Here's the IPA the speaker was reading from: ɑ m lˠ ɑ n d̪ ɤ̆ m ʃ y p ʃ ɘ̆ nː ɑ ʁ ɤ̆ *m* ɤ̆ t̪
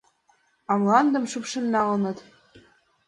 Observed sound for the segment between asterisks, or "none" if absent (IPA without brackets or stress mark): n